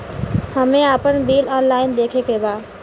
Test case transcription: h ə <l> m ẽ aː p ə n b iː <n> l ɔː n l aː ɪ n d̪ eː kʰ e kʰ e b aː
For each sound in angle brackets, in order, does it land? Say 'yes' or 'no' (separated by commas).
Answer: no, no